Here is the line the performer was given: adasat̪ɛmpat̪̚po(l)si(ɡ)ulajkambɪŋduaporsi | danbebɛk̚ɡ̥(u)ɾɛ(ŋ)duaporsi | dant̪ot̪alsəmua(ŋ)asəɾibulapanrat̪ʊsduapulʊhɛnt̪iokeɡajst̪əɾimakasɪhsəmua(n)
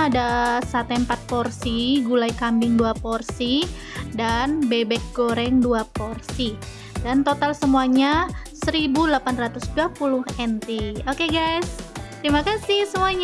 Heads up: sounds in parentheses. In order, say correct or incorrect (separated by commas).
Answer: incorrect, correct, incorrect, correct, incorrect, incorrect